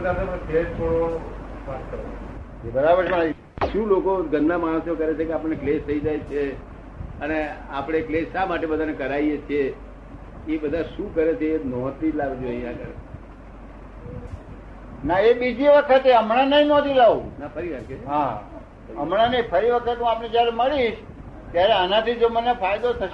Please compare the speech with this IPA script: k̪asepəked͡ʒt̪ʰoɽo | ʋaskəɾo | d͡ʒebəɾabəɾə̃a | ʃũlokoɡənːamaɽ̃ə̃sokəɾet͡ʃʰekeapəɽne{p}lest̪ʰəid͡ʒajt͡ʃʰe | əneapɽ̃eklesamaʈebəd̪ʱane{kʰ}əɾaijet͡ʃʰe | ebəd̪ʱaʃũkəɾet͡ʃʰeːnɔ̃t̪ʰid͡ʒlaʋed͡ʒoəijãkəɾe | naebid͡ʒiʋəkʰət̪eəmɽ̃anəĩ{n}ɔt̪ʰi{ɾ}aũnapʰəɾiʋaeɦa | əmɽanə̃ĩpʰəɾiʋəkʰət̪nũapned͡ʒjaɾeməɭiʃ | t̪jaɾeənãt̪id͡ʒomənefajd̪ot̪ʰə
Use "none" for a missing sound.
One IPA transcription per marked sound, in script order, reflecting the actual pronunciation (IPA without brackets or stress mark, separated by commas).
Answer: k, k, n, l